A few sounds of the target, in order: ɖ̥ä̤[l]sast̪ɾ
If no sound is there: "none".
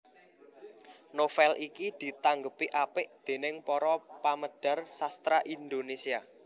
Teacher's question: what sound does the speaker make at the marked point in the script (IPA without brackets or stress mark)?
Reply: r